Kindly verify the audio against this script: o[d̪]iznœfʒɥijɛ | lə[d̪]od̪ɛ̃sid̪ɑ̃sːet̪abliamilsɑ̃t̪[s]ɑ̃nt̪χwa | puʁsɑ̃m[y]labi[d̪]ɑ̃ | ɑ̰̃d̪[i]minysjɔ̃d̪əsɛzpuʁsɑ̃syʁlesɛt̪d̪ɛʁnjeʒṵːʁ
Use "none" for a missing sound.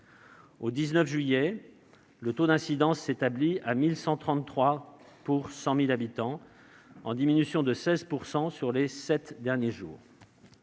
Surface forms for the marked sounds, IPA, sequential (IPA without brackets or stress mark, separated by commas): d̪, t̪, χ, i, t̪, i